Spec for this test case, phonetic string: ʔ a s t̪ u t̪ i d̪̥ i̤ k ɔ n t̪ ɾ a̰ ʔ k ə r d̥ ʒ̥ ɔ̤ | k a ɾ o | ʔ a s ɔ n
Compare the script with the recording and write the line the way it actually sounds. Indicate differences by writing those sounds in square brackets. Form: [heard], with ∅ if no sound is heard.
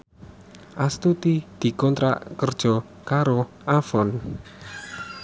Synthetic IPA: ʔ a s t̪ u t̪ i d̪̥ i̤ k ɔ n t̪ ɾ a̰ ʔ k ə r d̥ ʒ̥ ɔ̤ | k a ɾ o | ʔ a [f] ɔ n